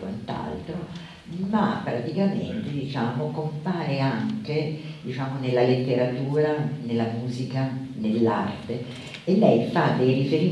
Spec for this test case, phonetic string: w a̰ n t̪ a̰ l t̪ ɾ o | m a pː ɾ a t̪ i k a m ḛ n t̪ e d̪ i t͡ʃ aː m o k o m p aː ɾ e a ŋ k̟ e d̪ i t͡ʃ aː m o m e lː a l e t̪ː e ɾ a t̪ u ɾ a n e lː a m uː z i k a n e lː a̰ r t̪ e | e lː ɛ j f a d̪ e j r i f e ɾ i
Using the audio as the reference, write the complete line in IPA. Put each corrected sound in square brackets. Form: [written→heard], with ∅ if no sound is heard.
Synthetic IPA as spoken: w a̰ n t̪ a̰ l t̪ ɾ o | m a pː ɾ a t̪ i k a m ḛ n t̪ e d̪ i t͡ʃ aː m o k o m p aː ɾ e a ŋ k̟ e d̪ i t͡ʃ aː m o [m→n] e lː a l e t̪ː e ɾ a t̪ [u→uː] ɾ a n e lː a m uː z i k a n e lː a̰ r t̪ e | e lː ɛ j f a d̪ e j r i f e ɾ i